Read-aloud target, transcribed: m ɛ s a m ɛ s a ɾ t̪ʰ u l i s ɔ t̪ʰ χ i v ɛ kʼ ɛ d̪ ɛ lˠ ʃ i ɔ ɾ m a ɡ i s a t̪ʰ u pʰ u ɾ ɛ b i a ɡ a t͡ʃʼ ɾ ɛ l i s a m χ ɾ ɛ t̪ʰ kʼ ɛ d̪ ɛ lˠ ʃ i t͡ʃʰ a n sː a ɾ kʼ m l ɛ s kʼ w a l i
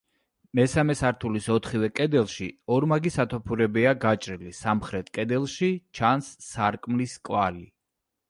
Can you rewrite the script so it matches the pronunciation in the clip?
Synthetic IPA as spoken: m ɛ s a m ɛ s a ɾ t̪ʰ u l i s ɔ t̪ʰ χ i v ɛ kʼ ɛ d̪ ɛ lˠ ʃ i ɔ ɾ m a ɡ i s a t̪ʰ ɔ pʰ u ɾ ɛ b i a ɡ a t͡ʃʼ ɾ i l i s a m χ ɾ ɛ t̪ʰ kʼ ɛ d̪ ɛ lˠ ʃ i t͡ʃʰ a n sː a ɾ kʼ m l i s kʼ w a l i

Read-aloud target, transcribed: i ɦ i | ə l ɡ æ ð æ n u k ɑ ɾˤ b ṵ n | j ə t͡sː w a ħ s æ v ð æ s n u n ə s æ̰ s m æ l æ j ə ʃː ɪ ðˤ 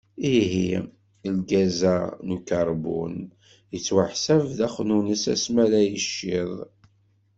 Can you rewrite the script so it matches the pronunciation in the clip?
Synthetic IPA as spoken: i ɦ i | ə l ɡ æ z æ n u k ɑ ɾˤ b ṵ n | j ə t͡sː w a ħ s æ v ð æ χ n u n ə s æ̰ s m æ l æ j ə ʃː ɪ ðˤ

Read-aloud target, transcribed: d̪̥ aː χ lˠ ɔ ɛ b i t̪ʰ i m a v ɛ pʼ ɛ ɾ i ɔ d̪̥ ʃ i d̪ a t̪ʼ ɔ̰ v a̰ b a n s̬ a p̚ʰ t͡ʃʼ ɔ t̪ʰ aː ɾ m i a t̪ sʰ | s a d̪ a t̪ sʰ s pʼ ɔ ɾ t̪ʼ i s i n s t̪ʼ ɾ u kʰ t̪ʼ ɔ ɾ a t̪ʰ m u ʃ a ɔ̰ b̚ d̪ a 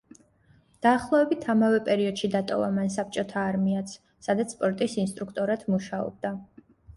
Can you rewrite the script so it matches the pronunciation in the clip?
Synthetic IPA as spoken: d̪̥ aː χ lˠ ɔ ɛ b i t̪ʰ a m a v ɛ pʼ ɛ ɾ i ɔ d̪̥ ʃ i d̪ a t̪ʼ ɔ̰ v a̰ m a n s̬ a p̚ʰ t͡ʃʼ ɔ t̪ʰ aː ɾ m i a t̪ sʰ | s a d̪ a t̪ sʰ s pʼ ɔ ɾ t̪ʼ i s i n s t̪ʼ ɾ u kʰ t̪ʼ ɔ ɾ a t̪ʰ m u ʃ a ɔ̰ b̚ d̪ a

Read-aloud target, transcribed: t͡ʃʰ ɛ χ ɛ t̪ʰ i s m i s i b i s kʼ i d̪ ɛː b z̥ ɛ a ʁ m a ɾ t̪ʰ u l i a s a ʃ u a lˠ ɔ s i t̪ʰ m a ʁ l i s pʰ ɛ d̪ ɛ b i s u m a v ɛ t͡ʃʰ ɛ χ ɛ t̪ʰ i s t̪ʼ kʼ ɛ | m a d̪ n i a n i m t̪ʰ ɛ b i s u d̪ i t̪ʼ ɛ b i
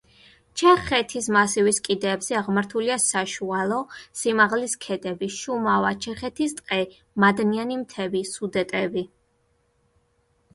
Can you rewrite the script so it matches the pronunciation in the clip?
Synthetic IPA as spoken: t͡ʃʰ ɛ χ ɛ t̪ʰ i s m a s i v i s kʼ i d̪ ɛː b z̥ ɛ a ʁ m a ɾ t̪ʰ u l i a s a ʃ u a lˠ ɔ s i m a ʁ l i s kʰ ɛ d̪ ɛ b i ʃ u m a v a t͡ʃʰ ɛ χ ɛ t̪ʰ i s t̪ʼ qʼ ɛ | m a d̪ n i a n i m t̪ʰ ɛ b i s u d̪ ɛ t̪ʼ ɛ b i

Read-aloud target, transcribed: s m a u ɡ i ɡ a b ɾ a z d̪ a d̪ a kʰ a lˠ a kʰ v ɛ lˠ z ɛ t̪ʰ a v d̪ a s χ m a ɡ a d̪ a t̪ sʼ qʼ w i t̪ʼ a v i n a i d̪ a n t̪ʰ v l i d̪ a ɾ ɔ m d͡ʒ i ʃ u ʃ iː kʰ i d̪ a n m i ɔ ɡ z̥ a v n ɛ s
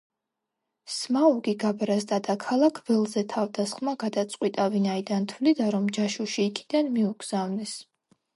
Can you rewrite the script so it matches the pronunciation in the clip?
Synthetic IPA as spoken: s m a u ɡ i ɡ a b ɾ a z d̪ a d̪ a kʰ a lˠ a kʰ v ɛ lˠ z ɛ t̪ʰ a v d̪ a s χ m a ɡ a d̪ a t̪ sʼ qʼ w i t̪ʼ a v i n a i d̪ a n t̪ʰ v l i d̪ a ɾ ɔ m d͡ʒ a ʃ u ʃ iː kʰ i d̪ a n m i u ɡ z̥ a v n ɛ s

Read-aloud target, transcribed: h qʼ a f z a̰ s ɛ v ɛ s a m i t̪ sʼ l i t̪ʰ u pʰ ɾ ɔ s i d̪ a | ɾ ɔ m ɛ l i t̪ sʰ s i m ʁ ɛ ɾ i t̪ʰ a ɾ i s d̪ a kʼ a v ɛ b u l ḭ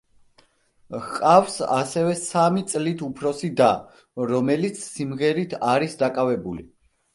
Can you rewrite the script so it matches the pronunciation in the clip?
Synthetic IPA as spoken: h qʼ a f s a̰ s ɛ v ɛ s a m i t̪ sʼ l i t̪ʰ u pʰ ɾ ɔ s i d̪ a | ɾ ɔ m ɛ l i t̪ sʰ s i m ʁ ɛ ɾ i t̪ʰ a ɾ i s d̪ a kʼ a v ɛ b u l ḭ

